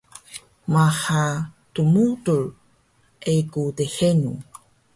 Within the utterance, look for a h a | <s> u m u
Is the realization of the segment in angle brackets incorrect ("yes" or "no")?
yes